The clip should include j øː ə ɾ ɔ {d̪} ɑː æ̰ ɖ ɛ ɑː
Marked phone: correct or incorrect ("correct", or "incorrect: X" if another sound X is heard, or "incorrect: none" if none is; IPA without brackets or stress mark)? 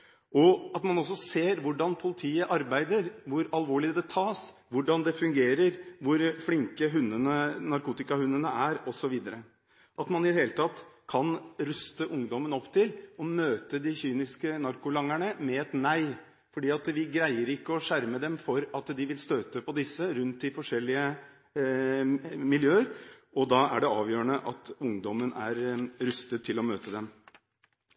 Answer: correct